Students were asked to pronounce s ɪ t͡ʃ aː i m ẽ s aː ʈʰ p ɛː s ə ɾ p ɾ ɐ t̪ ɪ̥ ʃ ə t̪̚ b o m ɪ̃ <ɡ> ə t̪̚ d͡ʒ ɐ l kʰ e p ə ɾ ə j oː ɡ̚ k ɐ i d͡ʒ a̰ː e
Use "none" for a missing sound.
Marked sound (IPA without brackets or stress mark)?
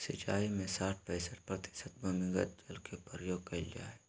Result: ɡ